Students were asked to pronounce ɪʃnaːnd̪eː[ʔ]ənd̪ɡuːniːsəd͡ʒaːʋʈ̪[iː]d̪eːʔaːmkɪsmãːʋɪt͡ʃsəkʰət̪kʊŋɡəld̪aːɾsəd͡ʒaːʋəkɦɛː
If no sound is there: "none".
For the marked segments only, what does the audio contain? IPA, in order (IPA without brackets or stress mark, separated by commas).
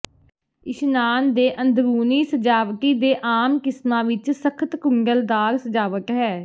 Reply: ʔ, iː